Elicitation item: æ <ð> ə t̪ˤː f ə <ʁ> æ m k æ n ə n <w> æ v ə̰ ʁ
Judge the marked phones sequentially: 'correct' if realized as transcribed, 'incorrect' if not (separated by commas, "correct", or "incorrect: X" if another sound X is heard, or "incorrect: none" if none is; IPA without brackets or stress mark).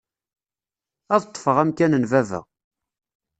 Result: correct, correct, incorrect: v